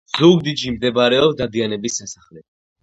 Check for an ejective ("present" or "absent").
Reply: absent